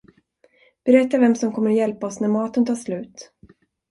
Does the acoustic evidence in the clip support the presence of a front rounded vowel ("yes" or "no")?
no